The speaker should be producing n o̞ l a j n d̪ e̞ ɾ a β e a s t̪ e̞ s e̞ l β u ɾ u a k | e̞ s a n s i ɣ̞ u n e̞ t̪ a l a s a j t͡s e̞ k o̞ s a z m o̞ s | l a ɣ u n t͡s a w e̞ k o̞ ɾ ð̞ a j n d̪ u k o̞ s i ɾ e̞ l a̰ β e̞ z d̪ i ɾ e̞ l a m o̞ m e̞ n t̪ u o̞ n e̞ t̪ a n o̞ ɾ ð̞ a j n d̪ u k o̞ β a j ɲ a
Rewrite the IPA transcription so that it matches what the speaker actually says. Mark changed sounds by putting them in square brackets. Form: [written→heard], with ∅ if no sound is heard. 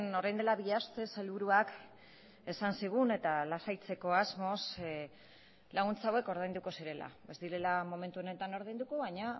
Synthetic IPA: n o̞ [l→ɾ] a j n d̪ e̞ [ɾ→l] a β [e→i] a s t̪ e̞ s e̞ l β u ɾ u a k | e̞ s a n s i ɣ̞ u n e̞ t̪ a l a s a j t͡s e̞ k o̞ [s→∅] a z m o̞ s | l a ɣ u n t͡s a w e̞ k o̞ ɾ ð̞ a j n d̪ u k o̞ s i ɾ e̞ l a̰ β e̞ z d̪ i ɾ e̞ l a m o̞ m e̞ n t̪ u o̞ n e̞ t̪ a n o̞ ɾ ð̞ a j n d̪ u k o̞ β a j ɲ a

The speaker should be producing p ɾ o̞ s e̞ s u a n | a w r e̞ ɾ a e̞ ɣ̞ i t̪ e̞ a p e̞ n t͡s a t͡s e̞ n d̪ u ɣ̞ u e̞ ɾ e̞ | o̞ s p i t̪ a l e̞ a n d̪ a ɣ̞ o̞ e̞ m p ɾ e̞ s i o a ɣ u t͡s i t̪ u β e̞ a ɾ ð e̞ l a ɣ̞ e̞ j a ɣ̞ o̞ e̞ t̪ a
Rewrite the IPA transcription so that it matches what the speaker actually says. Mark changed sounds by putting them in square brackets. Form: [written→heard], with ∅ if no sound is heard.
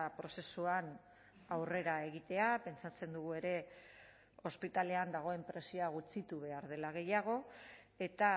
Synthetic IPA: p ɾ o̞ s e̞ s u a n | a w r e̞ ɾ a e̞ ɣ̞ i t̪ e̞ a p e̞ n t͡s a t͡s e̞ n d̪ u ɣ̞ u e̞ ɾ e̞ | o̞ s p i t̪ a l e̞ a n d̪ a ɣ̞ o̞ e̞ m p ɾ e̞ s i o a ɣ u t͡s i t̪ u β e̞ a ɾ ð e̞ l a ɣ̞ e̞ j a ɣ̞ o̞ e̞ t̪ a

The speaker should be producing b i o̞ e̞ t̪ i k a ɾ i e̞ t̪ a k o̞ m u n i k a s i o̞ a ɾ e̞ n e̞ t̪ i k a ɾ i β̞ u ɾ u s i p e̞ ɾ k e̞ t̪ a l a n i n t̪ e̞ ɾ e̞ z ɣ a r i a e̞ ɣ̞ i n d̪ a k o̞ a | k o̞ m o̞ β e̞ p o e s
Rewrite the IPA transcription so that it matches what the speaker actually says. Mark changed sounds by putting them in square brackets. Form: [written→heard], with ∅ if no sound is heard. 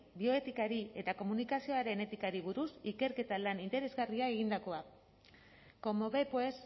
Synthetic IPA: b i o̞ e̞ t̪ i k a ɾ i e̞ t̪ a k o̞ m u n i k a s i o̞ a ɾ e̞ n e̞ t̪ i k a ɾ i β̞ u ɾ u s i [p→k] e̞ ɾ k e̞ t̪ a l a n i n t̪ e̞ ɾ e̞ z ɣ a r i a e̞ ɣ̞ i n d̪ a k o̞ a | k o̞ m o̞ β e̞ p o e s

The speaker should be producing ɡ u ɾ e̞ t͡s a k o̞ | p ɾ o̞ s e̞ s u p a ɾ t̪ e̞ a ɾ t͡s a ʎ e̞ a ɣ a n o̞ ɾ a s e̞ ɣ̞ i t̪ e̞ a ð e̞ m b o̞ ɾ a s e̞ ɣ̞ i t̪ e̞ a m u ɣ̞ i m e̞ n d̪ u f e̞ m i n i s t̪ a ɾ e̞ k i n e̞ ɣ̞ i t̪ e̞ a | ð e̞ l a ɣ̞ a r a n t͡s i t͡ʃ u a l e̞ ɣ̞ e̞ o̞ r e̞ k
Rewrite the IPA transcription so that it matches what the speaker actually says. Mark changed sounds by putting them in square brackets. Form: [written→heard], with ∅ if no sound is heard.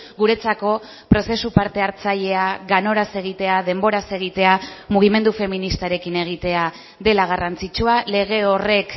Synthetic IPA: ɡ u ɾ e̞ t͡s a k o̞ | p ɾ o̞ s e̞ s u p a ɾ t̪ e̞ a ɾ t͡s a ʎ e̞ a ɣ a n o̞ ɾ a s e̞ ɣ̞ i t̪ e̞ a ð e̞ m b o̞ ɾ a s e̞ ɣ̞ i t̪ e̞ a m u ɣ̞ i m e̞ n d̪ u f e̞ m i n i s t̪ a ɾ e̞ k i n e̞ ɣ̞ i t̪ e̞ a | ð e̞ l a ɣ̞ a r a n t͡s i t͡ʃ u a l e̞ ɣ̞ e̞ o̞ r e̞ k

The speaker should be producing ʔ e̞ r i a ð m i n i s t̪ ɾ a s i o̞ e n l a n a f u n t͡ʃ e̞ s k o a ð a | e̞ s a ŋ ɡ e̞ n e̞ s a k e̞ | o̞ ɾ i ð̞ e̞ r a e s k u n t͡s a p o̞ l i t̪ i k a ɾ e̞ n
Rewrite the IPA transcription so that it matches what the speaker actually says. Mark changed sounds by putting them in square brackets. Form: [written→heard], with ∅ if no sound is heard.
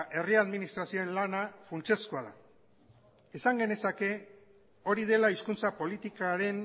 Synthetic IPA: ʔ e̞ r i a ð m i n i s t̪ ɾ a s i o̞ e n l a n a f u n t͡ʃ e̞ s k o a ð a | e̞ s a ŋ ɡ e̞ n e̞ s a k e̞ | o̞ ɾ i ð̞ e̞ [r→l] a [e→i] s k u n t͡s a p o̞ l i t̪ i k a ɾ e̞ n

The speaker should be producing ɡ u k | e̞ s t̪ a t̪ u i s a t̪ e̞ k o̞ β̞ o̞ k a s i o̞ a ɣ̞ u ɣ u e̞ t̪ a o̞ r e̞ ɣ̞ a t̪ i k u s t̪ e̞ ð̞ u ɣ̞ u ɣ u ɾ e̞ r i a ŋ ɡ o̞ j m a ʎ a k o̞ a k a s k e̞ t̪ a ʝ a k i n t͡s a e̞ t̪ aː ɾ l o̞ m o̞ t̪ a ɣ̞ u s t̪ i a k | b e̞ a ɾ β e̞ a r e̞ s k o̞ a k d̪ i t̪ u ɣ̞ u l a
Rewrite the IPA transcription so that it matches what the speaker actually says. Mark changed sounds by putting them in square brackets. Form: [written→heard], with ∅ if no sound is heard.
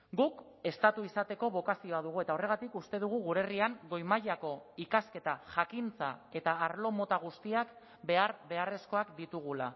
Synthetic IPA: ɡ u k | e̞ s t̪ a t̪ u i s a t̪ e̞ k o̞ β̞ o̞ k a s i o̞ a [ɣ̞→ð̞] u ɣ u e̞ t̪ a o̞ r e̞ ɣ̞ a t̪ i k u s t̪ e̞ ð̞ u ɣ̞ u ɣ u ɾ e̞ r i a ŋ ɡ o̞ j m a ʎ a k o̞ [a→i] k a s k e̞ t̪ a ʝ a k i n t͡s a e̞ t̪ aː ɾ l o̞ m o̞ t̪ a ɣ̞ u s t̪ i a k | b e̞ a ɾ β e̞ a r e̞ s k o̞ a k d̪ i t̪ u ɣ̞ u l a

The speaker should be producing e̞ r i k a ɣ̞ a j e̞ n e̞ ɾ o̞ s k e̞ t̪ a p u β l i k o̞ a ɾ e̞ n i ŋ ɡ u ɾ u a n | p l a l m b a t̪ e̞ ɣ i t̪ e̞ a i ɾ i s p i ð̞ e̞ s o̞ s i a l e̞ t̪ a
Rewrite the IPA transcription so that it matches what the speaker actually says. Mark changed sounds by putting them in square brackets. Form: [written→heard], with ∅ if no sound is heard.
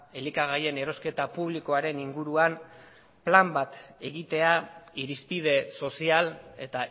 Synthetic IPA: e̞ [r→l] i k a ɣ̞ a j e̞ n e̞ ɾ o̞ s k e̞ t̪ a p u β l i k o̞ a ɾ e̞ n i ŋ ɡ u ɾ u a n | p l a [l→∅] m b a t̪ e̞ ɣ i t̪ e̞ a i ɾ i s p i ð̞ e̞ s o̞ s i a l e̞ t̪ a

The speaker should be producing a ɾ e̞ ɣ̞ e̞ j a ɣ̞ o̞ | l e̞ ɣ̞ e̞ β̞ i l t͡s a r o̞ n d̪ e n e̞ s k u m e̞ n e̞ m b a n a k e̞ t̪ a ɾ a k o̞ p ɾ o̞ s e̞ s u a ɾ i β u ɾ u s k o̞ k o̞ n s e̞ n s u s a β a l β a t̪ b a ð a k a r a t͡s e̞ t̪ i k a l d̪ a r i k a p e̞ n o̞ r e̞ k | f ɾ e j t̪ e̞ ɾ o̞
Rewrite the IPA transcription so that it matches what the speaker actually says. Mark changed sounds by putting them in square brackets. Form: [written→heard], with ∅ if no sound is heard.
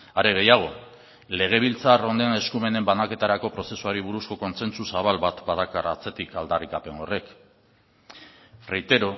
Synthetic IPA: a ɾ e̞ ɣ̞ e̞ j a ɣ̞ o̞ | l e̞ ɣ̞ e̞ β̞ i l t͡s a r o̞ n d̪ e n e̞ s k u m e̞ n e̞ m b a n a k e̞ t̪ a ɾ a k o̞ p ɾ o̞ s e̞ s u a ɾ i β u ɾ u s k o̞ k o̞ n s e̞ n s u s a β a l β a t̪ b a ð a k a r a t͡s e̞ t̪ i k a l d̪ a r i k a p e̞ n o̞ r e̞ k | f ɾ e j t̪ e̞ ɾ o̞

